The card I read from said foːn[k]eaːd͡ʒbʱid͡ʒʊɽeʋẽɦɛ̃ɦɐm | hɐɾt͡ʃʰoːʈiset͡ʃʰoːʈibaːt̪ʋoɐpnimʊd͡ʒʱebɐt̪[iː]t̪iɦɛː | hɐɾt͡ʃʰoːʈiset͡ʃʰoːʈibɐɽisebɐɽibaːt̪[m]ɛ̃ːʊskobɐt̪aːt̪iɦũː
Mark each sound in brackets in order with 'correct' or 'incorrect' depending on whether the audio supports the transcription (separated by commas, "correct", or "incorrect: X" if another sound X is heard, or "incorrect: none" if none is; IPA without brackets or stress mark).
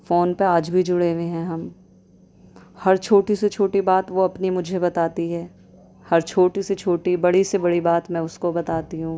incorrect: p, incorrect: aː, correct